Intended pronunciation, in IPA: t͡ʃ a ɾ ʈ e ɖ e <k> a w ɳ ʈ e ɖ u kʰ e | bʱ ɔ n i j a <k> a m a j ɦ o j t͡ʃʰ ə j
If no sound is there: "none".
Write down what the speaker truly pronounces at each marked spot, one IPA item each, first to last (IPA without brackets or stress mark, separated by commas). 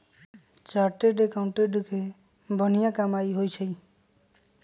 k, k